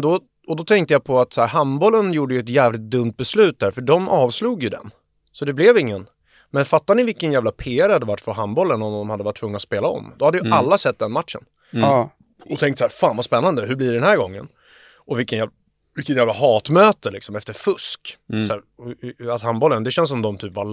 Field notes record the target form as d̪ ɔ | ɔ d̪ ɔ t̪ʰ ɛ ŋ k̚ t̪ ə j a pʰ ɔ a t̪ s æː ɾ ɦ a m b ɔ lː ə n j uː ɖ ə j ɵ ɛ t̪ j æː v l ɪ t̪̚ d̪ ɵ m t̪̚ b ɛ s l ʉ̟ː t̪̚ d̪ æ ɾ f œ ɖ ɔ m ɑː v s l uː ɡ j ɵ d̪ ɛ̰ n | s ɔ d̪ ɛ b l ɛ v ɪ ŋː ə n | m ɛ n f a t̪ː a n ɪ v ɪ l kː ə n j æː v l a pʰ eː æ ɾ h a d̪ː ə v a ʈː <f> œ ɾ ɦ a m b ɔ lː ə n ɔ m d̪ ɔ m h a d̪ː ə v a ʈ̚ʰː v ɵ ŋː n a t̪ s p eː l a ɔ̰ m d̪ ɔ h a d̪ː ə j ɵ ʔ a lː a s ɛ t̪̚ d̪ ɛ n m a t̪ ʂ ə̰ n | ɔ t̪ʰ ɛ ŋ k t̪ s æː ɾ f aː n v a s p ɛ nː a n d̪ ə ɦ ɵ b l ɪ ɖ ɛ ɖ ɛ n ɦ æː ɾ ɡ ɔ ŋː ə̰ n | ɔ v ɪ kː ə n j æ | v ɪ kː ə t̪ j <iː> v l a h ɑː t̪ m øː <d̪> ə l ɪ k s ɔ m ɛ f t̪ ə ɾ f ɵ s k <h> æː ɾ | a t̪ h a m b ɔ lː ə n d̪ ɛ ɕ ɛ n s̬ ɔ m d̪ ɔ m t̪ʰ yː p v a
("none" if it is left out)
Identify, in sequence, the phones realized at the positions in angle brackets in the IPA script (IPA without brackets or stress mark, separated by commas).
f, æː, t̪, s